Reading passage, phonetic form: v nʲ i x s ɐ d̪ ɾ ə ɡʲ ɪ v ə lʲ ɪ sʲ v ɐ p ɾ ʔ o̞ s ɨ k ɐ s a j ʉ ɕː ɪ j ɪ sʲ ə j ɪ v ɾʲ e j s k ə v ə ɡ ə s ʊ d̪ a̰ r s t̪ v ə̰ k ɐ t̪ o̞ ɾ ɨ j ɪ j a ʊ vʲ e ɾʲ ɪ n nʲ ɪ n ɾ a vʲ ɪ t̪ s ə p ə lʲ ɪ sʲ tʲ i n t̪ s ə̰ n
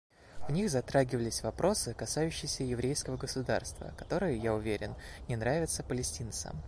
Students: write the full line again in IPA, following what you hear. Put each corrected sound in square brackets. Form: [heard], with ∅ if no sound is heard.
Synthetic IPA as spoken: v nʲ i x [z] ɐ [t̪] ɾ [a] ɡʲ ɪ v ə lʲ ɪ sʲ v ɐ p ɾ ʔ o̞ s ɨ k ɐ s a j ʉ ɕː ɪ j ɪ sʲ ə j ɪ v ɾʲ e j s k ə v ə ɡ ə s ʊ d̪ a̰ r s t̪ v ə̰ k ɐ t̪ o̞ ɾ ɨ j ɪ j a ʊ vʲ e ɾʲ ɪ n nʲ ɪ n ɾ a vʲ ɪ t̪ s ə p ə lʲ ɪ sʲ tʲ i n t̪ s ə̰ [m]

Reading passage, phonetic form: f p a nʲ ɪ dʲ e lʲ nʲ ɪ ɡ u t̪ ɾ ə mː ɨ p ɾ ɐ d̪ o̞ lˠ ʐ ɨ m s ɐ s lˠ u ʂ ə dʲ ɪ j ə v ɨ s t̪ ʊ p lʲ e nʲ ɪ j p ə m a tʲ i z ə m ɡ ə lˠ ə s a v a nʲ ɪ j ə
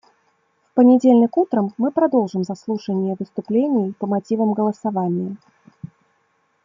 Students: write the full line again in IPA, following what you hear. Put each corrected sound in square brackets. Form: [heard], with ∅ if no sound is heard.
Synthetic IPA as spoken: f p [ə] nʲ ɪ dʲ e lʲ nʲ ɪ [k] u t̪ ɾ ə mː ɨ p ɾ ɐ d̪ o̞ lˠ ʐ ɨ m [z] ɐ s lˠ u ʂ ə [nʲ] ɪ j ə v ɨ s t̪ ʊ p lʲ e nʲ ɪ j p ə m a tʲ i [v] ə m ɡ ə lˠ ə s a v a nʲ ɪ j ə

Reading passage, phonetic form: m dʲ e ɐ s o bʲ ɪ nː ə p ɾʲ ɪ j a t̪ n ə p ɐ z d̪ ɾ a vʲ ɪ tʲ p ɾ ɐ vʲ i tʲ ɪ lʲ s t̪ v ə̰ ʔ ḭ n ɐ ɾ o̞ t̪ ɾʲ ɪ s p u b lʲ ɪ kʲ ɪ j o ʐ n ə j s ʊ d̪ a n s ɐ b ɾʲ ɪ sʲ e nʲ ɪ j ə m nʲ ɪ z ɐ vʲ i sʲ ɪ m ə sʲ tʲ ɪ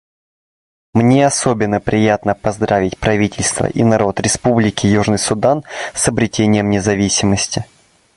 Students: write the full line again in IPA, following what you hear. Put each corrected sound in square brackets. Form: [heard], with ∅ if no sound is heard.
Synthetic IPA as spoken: m [nʲ] e ɐ s o bʲ ɪ nː ə p ɾʲ ɪ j a t̪ n ə p ɐ z d̪ ɾ a vʲ ɪ tʲ p ɾ ɐ vʲ i tʲ ɪ lʲ s t̪ v ə̰ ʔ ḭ n ɐ ɾ o̞ t̪ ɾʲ ɪ s p u b lʲ ɪ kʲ ɪ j [u] ʐ n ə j s ʊ d̪ a n s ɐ b ɾʲ ɪ [tʲ] e nʲ ɪ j ə m nʲ ɪ z ɐ vʲ i sʲ ɪ m ə sʲ tʲ ɪ

